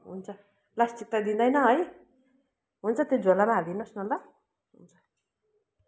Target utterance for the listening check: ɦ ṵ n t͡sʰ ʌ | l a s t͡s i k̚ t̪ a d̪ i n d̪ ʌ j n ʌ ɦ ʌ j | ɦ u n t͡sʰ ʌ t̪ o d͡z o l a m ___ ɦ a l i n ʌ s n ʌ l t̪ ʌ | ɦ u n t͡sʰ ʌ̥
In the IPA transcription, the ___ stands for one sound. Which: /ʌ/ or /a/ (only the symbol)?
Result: a